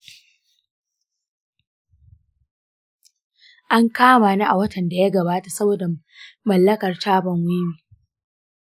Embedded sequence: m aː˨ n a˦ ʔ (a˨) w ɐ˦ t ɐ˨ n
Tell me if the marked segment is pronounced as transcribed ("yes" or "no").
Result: yes